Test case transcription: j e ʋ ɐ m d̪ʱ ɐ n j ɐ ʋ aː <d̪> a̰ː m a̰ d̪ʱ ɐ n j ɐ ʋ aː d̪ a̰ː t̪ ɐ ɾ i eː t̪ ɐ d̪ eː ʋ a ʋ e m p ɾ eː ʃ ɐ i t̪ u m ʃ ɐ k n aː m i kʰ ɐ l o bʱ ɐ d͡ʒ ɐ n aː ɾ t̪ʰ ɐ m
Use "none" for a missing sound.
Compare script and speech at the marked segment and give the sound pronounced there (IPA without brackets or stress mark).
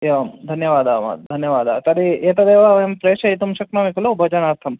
d̪